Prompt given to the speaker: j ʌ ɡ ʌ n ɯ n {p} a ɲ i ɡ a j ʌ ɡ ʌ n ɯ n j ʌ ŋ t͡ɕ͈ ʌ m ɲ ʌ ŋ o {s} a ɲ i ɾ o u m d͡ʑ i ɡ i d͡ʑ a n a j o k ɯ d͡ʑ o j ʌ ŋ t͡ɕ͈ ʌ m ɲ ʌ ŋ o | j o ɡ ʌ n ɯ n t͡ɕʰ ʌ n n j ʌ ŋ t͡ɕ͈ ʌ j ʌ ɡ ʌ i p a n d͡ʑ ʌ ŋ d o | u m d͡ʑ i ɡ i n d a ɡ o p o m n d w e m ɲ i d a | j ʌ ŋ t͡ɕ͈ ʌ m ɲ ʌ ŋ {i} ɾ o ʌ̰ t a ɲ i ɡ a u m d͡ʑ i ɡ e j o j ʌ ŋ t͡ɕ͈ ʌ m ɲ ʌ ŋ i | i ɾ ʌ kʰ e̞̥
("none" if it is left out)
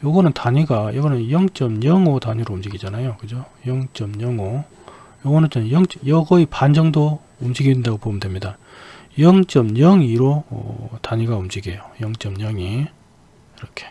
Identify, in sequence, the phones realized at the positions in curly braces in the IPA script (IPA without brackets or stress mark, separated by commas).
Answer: t, t, i